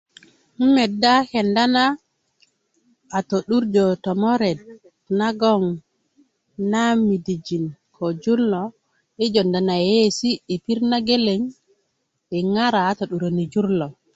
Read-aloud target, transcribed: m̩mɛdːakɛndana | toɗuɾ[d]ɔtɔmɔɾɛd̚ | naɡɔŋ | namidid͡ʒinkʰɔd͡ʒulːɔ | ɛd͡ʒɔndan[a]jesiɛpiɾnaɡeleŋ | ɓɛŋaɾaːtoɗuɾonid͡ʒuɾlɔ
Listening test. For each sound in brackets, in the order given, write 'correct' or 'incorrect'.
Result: incorrect: d͡ʒ, correct

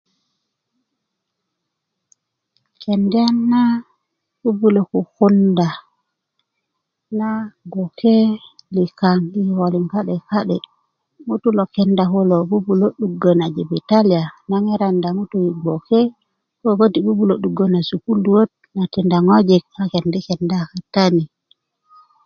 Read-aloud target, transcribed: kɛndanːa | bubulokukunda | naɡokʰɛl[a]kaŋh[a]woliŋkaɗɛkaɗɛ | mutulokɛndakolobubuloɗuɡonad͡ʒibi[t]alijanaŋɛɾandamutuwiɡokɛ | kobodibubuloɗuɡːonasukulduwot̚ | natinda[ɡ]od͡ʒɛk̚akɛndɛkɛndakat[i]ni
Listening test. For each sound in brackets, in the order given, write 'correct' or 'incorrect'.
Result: incorrect: i, incorrect: i, correct, incorrect: ŋ, incorrect: a

